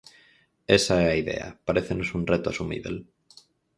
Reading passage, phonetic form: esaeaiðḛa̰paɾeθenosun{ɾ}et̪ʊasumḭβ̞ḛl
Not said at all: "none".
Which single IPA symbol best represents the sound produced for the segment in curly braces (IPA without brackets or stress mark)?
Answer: r